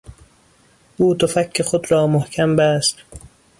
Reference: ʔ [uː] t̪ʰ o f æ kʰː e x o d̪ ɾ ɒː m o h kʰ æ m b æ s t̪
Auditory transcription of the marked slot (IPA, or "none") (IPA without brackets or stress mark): uː